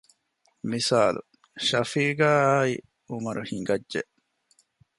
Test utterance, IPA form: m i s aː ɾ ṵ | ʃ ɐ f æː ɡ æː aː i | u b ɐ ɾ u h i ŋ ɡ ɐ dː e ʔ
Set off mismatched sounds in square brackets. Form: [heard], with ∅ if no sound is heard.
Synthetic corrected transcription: m i s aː [l] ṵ | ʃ ɐ f [iː] ɡ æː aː i | u [m] ɐ ɾ u h i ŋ ɡ ɐ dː e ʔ